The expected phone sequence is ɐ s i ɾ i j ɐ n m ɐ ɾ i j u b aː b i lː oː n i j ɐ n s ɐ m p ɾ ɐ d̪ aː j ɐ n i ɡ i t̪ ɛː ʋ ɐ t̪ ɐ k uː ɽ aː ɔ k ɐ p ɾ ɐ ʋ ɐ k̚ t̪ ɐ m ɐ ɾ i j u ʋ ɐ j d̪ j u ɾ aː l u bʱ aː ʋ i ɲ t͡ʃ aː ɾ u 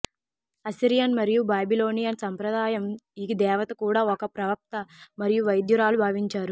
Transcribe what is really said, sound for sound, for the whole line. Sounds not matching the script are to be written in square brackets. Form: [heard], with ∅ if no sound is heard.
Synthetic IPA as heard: ɐ s i ɾ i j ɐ n m ɐ ɾ i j u b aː b i [l] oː n i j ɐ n s ɐ m p ɾ ɐ d̪ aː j ɐ [m] i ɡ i [d̪] ɛː ʋ ɐ t̪ ɐ k uː ɽ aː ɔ k ɐ p ɾ ɐ ʋ ɐ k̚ t̪ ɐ m ɐ ɾ i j u ʋ ɐ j d̪ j u ɾ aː l u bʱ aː ʋ i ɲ t͡ʃ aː ɾ u